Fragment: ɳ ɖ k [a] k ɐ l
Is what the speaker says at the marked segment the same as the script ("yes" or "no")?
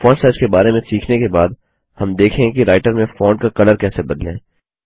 yes